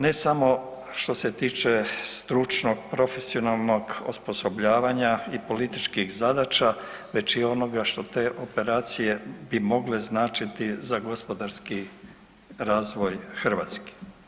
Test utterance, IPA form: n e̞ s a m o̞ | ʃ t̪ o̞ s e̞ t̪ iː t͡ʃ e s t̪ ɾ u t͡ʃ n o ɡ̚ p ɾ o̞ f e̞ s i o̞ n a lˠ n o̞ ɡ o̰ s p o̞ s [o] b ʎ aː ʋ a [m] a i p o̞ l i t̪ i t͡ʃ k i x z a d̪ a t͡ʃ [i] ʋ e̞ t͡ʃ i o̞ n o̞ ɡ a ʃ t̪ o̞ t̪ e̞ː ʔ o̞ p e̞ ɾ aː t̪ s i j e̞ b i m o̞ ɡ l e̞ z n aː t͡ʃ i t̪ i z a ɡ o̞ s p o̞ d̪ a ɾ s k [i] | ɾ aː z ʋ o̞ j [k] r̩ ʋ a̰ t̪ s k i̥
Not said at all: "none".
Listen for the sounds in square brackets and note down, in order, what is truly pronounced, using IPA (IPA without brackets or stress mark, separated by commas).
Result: o, ɲ, a, i, x